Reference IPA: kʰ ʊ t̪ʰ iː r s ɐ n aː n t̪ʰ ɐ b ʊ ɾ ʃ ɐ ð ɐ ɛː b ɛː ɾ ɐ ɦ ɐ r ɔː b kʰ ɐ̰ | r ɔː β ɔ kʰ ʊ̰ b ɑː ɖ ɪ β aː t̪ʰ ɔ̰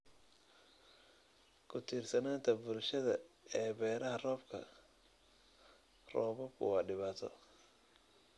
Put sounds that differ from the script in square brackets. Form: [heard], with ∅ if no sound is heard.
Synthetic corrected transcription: kʰ ʊ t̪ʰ iː r s ɐ n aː n t̪ʰ ɐ b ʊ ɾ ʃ ɐ ð ɐ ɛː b ɛː ɾ ɐ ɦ ɐ r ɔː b kʰ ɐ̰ | r ɔː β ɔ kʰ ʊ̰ [w] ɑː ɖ ɪ β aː t̪ʰ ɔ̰